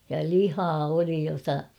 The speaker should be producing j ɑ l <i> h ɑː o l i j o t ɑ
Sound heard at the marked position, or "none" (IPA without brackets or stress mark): i